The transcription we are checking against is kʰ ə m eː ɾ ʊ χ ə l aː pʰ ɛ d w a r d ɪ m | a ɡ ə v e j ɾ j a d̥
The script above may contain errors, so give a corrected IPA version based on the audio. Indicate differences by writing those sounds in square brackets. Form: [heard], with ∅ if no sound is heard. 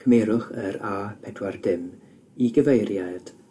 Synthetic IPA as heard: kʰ ə m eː ɾ ʊ χ ə [ɾ] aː pʰ ɛ d w a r d ɪ m | [i] ɡ ə v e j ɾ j a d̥